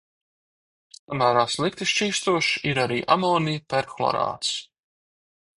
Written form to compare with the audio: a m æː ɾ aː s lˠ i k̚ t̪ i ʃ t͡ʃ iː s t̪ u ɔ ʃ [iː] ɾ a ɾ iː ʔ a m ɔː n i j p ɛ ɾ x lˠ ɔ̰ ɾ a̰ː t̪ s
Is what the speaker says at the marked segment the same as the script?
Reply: no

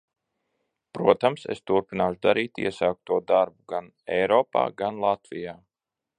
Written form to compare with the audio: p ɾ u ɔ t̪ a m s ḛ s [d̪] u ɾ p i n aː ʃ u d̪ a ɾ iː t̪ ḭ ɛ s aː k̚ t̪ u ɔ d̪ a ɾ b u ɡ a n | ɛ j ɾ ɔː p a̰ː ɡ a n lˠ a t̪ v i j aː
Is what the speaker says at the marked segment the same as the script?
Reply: no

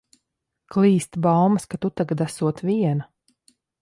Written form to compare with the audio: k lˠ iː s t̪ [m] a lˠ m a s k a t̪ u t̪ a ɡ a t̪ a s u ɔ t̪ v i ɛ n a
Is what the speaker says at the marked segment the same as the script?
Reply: no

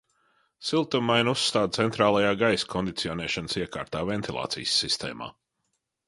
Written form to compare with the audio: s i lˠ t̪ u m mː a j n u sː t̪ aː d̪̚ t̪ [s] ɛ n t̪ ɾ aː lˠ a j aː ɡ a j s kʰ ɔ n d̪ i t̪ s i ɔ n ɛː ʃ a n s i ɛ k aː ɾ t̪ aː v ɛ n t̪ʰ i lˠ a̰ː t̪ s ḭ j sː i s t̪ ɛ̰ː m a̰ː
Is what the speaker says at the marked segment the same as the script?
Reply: yes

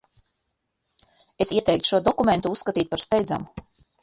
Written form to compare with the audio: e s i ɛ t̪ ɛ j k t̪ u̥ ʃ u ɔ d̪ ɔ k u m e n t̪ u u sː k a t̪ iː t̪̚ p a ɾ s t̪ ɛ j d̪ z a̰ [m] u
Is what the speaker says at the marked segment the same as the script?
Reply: yes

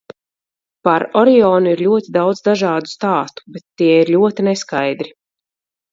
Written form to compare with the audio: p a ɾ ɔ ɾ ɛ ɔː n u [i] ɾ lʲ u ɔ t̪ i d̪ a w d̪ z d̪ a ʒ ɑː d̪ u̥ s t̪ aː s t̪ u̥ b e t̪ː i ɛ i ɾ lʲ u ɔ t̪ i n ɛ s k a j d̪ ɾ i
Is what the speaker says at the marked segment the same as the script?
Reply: yes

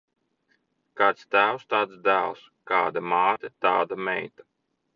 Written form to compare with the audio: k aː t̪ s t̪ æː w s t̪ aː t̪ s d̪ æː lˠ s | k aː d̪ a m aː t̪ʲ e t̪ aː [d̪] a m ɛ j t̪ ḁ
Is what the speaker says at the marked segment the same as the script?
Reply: yes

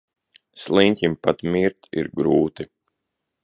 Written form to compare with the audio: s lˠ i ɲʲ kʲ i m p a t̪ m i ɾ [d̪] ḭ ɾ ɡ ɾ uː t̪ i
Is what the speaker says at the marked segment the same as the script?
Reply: no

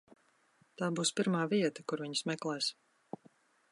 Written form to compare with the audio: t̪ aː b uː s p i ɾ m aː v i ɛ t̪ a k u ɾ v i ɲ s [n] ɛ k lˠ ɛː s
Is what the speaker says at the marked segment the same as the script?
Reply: no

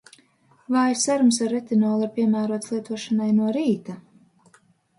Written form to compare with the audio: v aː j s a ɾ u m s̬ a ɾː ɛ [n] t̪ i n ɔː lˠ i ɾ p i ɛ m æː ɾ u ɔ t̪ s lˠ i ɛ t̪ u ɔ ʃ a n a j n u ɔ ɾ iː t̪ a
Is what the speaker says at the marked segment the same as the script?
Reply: no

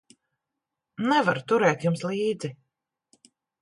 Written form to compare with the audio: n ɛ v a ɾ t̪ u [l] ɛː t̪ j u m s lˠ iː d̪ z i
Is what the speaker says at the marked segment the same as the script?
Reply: no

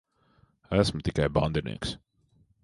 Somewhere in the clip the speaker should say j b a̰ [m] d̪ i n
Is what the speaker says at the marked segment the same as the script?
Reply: no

